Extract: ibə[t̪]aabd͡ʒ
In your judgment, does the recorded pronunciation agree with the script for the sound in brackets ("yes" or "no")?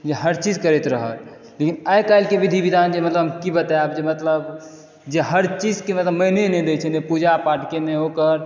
yes